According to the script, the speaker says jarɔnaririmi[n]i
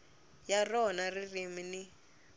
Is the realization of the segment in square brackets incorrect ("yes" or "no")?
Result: no